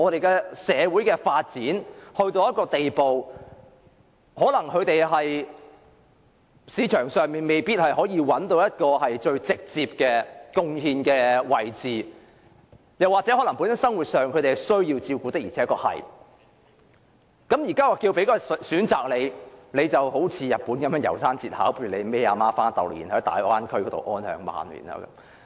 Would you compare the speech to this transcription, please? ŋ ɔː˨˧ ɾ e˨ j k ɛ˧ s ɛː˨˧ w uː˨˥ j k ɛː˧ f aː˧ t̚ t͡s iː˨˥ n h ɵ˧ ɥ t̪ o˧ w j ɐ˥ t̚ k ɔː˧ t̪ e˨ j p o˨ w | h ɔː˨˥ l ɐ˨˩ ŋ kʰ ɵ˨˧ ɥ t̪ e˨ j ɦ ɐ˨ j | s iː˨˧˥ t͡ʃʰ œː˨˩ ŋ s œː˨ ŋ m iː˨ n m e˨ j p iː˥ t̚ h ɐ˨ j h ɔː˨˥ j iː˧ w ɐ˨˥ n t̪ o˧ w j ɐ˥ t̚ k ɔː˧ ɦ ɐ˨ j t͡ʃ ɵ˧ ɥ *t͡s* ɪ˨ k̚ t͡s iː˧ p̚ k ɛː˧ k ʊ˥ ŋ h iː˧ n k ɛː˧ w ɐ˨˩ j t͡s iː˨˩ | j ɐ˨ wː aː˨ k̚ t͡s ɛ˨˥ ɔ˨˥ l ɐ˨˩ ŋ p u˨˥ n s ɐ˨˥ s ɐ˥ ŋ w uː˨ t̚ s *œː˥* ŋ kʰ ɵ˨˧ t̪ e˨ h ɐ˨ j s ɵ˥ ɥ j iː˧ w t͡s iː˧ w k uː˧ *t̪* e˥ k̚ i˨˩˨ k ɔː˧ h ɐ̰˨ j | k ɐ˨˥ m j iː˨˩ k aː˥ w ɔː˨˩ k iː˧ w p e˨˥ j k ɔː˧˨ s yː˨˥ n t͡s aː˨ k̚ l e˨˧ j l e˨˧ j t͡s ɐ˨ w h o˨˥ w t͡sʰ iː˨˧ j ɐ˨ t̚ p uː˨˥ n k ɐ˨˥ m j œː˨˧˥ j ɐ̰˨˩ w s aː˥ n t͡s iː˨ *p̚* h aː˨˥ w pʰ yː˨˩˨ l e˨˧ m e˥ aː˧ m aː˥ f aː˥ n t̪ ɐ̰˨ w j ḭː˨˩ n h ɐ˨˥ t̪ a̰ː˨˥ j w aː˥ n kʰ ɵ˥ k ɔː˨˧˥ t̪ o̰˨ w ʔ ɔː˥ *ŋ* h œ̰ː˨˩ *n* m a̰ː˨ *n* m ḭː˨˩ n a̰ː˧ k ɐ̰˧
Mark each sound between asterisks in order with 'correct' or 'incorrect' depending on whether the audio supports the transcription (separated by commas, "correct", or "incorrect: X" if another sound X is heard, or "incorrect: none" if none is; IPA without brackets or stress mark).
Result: correct, incorrect: œː˨, correct, incorrect: t̚, incorrect: n, incorrect: ŋ, correct